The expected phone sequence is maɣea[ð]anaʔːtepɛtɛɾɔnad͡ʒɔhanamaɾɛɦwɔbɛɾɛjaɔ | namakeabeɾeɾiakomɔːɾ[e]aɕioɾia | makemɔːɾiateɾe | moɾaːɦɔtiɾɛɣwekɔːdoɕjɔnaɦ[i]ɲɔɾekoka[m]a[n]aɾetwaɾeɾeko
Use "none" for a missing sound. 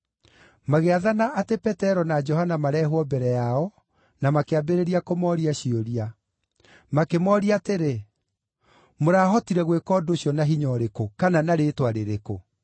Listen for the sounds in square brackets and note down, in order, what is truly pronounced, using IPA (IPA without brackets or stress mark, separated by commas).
ð, i, i, n, n